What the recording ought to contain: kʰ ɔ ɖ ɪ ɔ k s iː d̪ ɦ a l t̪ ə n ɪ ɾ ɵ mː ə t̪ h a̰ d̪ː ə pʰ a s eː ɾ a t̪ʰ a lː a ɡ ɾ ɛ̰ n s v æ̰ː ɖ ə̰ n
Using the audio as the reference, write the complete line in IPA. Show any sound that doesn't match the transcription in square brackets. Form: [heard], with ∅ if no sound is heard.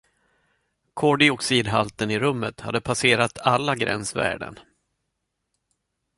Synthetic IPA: kʰ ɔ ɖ ɪ ɔ k s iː d̪ ɦ a l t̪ ə n ɪ ɾ ɵ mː ə t̪ h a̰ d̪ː ə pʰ a s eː ɾ a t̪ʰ a lː a ɡ ɾ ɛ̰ n s v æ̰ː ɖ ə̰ n